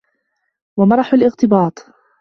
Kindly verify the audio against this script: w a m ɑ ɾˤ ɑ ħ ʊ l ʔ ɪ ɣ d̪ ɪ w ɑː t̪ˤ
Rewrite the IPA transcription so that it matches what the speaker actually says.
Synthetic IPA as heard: w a m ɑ ɾˤ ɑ ħ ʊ l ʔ ɪ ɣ t̪ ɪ b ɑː t̪ˤ